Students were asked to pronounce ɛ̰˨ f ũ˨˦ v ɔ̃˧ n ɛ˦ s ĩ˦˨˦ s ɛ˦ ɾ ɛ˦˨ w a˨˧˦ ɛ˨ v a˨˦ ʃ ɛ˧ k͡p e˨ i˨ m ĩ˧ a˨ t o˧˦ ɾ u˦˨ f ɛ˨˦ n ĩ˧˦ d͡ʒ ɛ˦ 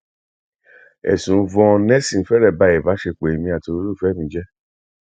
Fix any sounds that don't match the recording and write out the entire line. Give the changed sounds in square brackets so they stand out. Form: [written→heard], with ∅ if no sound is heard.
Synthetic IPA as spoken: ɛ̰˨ [f→s] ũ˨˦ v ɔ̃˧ n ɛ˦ s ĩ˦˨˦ [s→f] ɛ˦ ɾ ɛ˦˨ [w→b] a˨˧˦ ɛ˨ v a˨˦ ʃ [ɛ˧→e˧] k͡p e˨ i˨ m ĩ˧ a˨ t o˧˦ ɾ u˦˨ f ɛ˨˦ [n→m] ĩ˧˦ d͡ʒ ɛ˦